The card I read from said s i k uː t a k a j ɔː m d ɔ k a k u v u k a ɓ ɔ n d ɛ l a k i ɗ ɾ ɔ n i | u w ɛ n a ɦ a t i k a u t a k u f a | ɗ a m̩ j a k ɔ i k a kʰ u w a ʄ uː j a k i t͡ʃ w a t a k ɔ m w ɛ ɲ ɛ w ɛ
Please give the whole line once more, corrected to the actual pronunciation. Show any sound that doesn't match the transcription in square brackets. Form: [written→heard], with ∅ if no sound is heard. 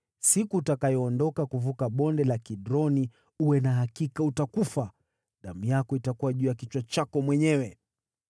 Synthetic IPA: s i k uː t a k a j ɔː [m→n] d ɔ k a k u v u k a ɓ ɔ n d ɛ l a k i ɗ ɾ ɔ n i | u w ɛ n a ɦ a [t→k] i k a u t a k u f a | ɗ a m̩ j a k ɔ i [k→t] a [kʰ→k] u w a ʄ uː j a k i t͡ʃ w a [t→t͡ʃ] a k ɔ m w ɛ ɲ ɛ w ɛ